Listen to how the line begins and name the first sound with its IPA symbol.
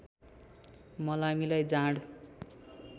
m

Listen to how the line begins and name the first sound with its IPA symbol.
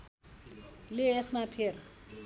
l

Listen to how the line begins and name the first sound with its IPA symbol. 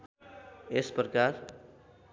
e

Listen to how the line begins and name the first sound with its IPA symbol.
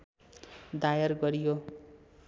d̪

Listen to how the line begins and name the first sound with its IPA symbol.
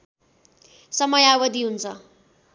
s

